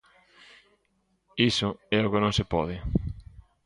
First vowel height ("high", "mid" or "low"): high